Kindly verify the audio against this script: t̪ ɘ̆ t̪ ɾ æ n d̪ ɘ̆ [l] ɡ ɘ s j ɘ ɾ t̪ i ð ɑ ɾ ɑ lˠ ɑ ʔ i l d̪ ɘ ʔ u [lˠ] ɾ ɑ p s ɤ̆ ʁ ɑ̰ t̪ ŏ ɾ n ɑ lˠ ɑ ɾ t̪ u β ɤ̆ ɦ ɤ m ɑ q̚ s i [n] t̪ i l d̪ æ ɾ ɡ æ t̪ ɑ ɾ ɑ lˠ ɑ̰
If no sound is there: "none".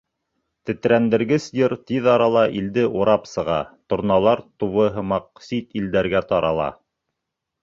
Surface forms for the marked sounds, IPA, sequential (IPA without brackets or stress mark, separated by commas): ɾ, none, none